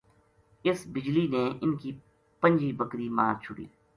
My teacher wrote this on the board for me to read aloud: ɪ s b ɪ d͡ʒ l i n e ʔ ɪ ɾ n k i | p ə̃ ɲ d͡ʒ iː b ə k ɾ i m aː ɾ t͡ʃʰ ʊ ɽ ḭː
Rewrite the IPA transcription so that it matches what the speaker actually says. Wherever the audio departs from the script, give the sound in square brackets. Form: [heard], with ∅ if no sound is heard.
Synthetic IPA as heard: ɪ s b ɪ d͡ʒ l i n e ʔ ɪ [∅] n k i | p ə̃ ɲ d͡ʒ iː b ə k ɾ i m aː ɾ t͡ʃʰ ʊ ɽ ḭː